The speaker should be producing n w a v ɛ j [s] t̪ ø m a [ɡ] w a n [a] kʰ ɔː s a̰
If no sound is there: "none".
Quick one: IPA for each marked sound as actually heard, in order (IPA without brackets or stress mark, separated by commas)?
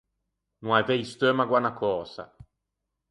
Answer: s, ɡ, a